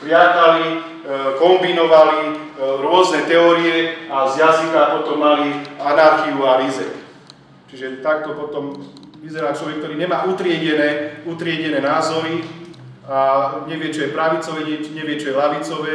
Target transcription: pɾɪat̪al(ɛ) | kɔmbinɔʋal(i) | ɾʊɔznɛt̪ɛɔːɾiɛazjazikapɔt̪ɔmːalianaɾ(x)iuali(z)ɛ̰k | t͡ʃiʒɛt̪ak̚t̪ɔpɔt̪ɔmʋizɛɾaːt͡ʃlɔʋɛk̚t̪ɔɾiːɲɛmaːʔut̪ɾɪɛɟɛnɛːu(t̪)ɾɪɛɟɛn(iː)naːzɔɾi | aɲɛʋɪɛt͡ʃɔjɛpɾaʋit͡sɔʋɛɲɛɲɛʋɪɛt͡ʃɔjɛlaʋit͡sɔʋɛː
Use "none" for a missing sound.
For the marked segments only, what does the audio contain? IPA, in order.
i, i, x, z, t̪, ɛː

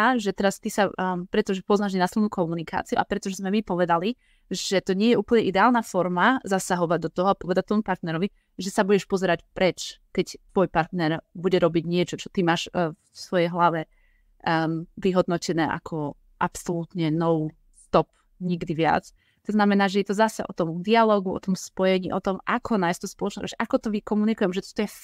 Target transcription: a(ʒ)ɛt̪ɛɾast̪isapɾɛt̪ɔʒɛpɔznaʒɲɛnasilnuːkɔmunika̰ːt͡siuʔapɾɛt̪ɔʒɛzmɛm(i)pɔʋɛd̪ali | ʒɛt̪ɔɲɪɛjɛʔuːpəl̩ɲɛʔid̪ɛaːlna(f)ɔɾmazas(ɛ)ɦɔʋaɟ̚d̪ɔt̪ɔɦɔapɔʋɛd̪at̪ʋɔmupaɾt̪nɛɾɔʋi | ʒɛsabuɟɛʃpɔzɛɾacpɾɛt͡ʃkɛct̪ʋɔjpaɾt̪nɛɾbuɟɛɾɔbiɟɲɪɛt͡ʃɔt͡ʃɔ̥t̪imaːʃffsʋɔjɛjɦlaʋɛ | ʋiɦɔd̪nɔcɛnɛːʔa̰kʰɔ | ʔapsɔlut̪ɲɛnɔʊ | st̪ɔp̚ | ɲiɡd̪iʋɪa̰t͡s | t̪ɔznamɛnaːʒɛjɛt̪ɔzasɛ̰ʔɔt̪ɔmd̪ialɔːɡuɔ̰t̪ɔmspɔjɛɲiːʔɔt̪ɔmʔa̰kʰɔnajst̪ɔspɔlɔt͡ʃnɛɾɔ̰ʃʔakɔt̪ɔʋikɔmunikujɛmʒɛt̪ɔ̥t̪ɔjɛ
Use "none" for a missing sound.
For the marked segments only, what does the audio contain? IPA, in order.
ʒ, i, f, a

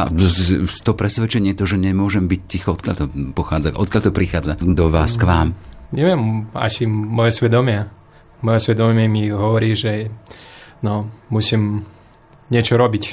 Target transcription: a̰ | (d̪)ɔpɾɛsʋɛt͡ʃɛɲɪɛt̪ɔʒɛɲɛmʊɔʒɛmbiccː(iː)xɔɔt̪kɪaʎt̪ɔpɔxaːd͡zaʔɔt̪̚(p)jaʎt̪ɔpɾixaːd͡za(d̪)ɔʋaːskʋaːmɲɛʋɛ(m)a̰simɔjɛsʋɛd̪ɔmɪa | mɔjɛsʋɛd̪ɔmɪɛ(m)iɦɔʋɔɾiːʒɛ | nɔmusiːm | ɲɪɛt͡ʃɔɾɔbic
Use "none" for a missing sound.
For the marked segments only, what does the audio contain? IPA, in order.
t̪, i, k, d̪, m, m

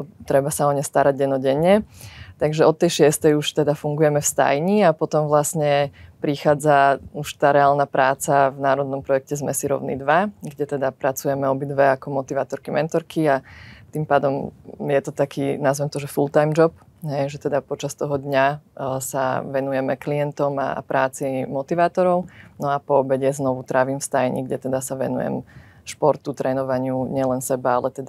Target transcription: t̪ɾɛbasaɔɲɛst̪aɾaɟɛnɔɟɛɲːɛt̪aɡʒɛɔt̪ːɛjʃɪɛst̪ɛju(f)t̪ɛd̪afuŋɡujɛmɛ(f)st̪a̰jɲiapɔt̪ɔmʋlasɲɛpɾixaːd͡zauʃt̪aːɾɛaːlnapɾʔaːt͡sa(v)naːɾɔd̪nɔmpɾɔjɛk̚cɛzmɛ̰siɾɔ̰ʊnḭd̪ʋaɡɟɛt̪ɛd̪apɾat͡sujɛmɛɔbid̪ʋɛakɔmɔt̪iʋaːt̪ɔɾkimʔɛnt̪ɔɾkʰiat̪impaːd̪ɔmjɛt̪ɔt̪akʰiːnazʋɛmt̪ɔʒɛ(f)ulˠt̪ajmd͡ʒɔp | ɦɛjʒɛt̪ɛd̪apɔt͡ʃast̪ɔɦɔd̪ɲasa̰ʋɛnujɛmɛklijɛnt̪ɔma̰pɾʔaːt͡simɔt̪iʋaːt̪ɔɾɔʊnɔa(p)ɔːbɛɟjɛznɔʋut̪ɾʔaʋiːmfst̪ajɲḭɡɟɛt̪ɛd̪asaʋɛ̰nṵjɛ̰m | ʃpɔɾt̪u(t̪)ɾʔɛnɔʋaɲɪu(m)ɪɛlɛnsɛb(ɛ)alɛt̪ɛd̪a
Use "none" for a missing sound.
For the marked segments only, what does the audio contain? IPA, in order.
ʃ, f, v, f, p, t̪, ɲ, a

